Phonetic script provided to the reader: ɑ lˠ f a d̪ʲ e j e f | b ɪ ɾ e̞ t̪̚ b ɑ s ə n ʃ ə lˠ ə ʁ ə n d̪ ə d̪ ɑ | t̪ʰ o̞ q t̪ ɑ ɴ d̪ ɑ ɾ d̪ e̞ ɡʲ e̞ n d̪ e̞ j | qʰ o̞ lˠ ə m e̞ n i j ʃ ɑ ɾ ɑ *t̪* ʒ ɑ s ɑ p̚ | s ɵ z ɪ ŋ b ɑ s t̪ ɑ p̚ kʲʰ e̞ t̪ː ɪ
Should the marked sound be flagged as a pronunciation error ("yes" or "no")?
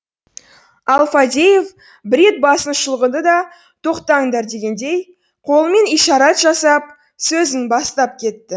no